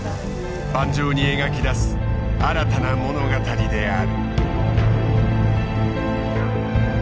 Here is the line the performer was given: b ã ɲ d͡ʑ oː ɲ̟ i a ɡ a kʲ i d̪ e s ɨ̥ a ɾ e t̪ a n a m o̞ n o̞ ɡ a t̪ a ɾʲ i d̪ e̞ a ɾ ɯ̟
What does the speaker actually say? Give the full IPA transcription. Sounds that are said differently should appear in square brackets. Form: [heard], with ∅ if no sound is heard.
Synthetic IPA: b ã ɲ d͡ʑ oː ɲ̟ i [e] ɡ a kʲ i d̪ [a] s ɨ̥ a ɾ [a] t̪ a n a m o̞ n o̞ ɡ a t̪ a ɾʲ i d̪ e̞ a ɾ ɯ̟